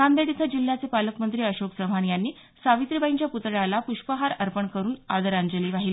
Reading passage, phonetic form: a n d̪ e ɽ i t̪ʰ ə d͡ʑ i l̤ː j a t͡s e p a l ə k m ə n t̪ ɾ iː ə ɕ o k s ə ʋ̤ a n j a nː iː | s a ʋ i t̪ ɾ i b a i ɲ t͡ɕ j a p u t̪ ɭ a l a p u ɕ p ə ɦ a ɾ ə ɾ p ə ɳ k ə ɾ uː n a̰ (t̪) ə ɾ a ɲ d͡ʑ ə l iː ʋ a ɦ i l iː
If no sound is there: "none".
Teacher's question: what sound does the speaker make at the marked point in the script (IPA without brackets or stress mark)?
d̪